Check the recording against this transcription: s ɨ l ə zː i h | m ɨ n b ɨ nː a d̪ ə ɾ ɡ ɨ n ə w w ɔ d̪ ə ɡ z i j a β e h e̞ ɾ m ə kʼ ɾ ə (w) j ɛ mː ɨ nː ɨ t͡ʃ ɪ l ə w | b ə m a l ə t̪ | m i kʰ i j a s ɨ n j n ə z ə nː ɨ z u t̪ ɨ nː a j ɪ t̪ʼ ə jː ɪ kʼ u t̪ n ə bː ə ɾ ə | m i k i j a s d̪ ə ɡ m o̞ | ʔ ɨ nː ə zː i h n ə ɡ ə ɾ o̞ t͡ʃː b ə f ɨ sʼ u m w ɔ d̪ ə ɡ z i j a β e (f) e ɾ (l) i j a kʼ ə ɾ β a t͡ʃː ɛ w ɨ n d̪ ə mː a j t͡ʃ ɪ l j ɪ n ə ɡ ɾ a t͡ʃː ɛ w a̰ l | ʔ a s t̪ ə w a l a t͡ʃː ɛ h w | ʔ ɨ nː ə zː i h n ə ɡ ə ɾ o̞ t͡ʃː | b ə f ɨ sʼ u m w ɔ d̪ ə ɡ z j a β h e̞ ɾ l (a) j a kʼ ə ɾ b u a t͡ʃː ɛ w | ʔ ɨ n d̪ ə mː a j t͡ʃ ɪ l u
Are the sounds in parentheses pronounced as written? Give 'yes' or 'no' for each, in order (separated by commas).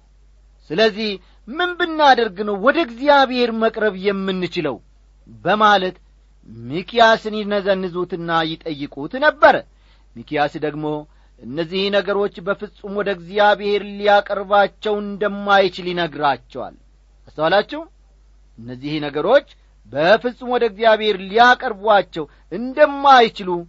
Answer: no, no, yes, no